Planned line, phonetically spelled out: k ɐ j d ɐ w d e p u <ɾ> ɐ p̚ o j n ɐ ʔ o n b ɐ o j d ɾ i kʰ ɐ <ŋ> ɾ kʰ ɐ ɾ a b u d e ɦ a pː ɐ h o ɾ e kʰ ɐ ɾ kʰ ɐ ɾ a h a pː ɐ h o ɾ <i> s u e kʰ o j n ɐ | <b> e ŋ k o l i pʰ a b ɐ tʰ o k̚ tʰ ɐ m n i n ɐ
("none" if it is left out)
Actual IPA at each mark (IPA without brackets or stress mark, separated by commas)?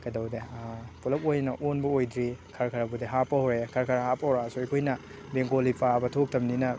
l, none, a, b